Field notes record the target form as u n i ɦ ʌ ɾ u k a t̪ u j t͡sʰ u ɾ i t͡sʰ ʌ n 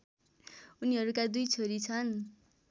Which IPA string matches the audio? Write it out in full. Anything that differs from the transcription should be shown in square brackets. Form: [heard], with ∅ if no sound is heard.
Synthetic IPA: u n i ɦ ʌ ɾ u k a [d̪] u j t͡sʰ [o] ɾ i t͡sʰ ʌ n